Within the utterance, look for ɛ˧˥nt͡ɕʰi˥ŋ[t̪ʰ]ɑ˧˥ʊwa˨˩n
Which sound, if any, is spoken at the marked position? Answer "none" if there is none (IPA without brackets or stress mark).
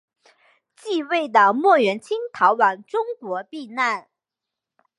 t̪ʰ